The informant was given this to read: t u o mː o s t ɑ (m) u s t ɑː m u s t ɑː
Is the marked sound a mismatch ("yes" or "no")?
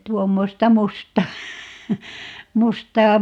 no